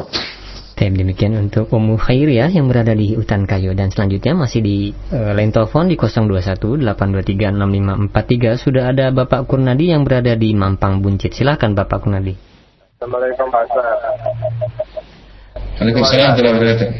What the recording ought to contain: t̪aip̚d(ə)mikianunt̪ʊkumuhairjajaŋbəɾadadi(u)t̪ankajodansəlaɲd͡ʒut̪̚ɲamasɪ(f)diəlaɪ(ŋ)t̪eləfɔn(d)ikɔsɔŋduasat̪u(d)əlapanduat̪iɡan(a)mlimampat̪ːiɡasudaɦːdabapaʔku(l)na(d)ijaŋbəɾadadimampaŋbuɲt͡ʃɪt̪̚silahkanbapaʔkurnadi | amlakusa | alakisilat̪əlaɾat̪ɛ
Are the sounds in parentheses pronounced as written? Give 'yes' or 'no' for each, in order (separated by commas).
yes, yes, no, no, yes, yes, yes, no, yes